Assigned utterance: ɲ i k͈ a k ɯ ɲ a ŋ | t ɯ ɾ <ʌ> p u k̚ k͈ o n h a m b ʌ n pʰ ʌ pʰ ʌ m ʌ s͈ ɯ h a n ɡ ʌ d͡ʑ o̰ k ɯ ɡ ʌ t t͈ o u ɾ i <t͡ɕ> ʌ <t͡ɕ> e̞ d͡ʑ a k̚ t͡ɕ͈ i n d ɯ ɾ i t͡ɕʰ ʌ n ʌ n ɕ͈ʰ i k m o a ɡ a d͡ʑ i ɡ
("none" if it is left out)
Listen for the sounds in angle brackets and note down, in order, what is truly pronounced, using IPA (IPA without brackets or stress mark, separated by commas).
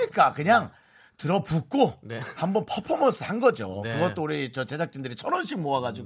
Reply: ʌ, t͡ɕ, t͡ɕ